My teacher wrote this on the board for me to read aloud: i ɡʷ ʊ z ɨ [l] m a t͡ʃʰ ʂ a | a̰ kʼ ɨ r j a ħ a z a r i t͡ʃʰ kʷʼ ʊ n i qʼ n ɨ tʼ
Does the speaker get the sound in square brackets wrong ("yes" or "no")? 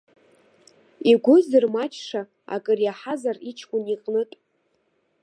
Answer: yes